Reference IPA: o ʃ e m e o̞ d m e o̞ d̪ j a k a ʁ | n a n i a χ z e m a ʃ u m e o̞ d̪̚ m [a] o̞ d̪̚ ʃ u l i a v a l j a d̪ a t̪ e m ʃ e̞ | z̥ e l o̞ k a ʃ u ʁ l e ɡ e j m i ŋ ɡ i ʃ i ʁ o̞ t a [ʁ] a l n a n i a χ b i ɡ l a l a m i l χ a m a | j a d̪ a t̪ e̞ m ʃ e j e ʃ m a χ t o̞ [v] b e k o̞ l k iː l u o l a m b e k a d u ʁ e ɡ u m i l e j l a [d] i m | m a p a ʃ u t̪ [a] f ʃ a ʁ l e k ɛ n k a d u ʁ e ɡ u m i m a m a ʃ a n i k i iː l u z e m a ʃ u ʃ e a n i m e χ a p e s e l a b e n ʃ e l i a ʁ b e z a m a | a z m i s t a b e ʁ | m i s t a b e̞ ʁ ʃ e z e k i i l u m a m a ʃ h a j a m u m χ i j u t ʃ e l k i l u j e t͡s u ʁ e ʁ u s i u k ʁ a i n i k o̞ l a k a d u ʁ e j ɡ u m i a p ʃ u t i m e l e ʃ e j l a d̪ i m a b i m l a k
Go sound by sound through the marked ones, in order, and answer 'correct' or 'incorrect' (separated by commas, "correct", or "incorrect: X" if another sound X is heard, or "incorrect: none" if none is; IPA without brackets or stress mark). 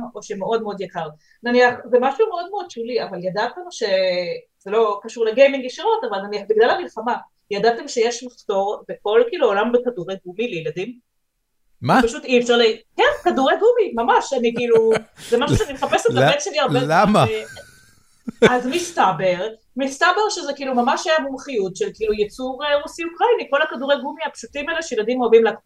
incorrect: e, incorrect: v, incorrect: ʁ, correct, incorrect: i